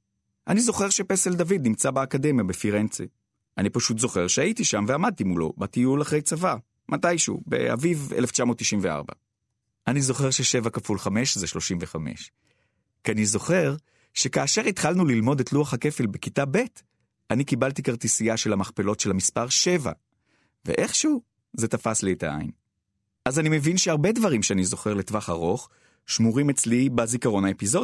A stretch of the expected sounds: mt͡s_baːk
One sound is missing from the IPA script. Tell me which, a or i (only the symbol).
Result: a